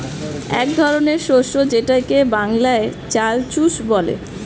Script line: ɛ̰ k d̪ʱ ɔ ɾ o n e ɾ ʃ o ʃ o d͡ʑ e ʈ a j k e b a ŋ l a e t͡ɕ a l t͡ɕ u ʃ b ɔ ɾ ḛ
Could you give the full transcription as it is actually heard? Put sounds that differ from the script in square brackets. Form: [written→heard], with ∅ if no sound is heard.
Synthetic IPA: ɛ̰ k d̪ʱ ɔ ɾ o n e ɾ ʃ o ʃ o d͡ʑ e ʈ a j k e b a ŋ l a e t͡ɕ a l t͡ɕ u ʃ b ɔ [ɾ→l] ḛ